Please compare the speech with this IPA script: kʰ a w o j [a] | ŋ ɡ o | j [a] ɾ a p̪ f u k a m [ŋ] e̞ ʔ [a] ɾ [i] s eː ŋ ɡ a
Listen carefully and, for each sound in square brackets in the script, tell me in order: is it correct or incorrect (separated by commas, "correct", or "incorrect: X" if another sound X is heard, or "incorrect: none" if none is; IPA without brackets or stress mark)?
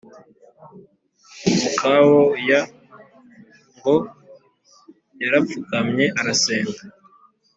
correct, correct, incorrect: ɲ, correct, incorrect: a